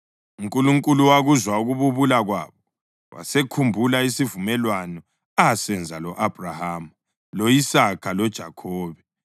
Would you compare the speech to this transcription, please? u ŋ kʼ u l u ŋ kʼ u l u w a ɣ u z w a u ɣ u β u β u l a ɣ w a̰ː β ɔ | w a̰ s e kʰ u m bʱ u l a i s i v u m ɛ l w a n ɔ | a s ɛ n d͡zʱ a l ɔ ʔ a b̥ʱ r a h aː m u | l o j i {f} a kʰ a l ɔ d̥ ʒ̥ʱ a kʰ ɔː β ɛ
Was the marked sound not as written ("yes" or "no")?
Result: yes